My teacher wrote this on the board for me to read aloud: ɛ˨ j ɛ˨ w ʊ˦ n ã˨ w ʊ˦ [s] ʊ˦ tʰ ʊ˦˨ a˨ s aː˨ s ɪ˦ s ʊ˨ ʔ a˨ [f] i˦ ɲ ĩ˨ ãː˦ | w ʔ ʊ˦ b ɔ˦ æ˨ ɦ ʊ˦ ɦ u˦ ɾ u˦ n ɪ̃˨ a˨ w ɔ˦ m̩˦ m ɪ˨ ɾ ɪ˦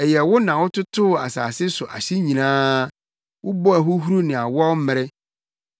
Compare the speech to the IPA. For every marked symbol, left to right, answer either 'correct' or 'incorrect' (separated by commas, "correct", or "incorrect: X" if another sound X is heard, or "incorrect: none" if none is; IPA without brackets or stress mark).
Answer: incorrect: t, incorrect: ɕ